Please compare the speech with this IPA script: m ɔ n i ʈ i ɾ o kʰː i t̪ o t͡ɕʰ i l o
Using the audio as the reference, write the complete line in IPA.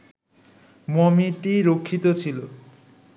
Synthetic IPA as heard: m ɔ m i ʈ i ɾ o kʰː i t̪ o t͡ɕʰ i l o